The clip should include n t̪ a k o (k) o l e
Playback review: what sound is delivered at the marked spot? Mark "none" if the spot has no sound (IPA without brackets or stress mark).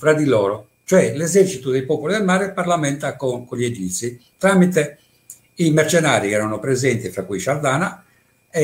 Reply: k